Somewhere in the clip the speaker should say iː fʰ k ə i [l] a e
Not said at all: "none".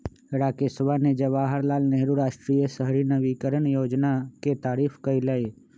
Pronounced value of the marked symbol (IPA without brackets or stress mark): l